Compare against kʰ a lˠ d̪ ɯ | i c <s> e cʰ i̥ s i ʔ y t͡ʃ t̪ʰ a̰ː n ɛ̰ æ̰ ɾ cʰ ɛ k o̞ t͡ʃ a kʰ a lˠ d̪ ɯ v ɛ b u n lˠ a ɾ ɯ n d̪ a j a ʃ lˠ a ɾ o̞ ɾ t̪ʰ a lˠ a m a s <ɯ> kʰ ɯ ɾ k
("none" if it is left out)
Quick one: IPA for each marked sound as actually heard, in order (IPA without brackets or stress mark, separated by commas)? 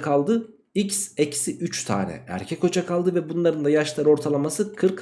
s, ɯ